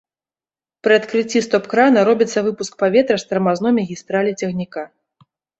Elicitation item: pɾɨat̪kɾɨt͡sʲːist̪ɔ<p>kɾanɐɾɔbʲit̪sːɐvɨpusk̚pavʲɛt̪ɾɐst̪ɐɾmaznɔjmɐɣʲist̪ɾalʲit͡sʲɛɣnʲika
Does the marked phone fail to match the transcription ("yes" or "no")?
no